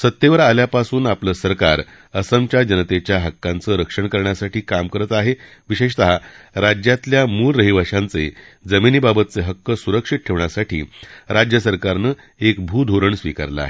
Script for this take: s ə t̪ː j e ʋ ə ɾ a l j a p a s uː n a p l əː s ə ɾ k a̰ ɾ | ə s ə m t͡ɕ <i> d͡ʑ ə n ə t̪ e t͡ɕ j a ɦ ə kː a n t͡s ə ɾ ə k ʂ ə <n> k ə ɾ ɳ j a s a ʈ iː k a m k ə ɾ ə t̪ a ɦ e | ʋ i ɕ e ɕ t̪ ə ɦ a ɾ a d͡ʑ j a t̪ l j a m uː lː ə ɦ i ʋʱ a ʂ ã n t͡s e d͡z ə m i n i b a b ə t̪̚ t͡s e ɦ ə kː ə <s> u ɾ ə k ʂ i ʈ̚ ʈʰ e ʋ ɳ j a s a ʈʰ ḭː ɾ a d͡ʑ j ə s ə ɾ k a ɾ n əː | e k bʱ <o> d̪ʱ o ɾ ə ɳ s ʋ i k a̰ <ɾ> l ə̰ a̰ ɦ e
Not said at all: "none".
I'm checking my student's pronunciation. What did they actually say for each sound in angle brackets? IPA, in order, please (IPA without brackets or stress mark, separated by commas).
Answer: a, ɳ, s, u, ɾ